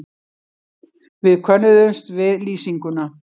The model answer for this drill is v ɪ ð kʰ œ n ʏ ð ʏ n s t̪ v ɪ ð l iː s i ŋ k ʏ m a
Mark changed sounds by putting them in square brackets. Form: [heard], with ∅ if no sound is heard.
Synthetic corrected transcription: v ɪ ð kʰ œ n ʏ ð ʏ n s t̪ v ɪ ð l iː s i ŋ k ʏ [n] a